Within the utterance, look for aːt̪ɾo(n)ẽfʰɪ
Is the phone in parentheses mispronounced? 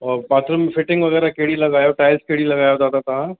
yes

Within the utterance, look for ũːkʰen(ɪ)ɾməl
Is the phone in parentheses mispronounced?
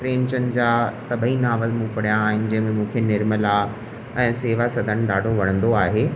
no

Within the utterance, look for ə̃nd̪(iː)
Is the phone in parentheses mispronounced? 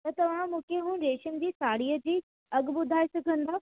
yes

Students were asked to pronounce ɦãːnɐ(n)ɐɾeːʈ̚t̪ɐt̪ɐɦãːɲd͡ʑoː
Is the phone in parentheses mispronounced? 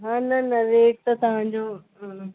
no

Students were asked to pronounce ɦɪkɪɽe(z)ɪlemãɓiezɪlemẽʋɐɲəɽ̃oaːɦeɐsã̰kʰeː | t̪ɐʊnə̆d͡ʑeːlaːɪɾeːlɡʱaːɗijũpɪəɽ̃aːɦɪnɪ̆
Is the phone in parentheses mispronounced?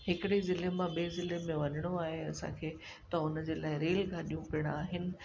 no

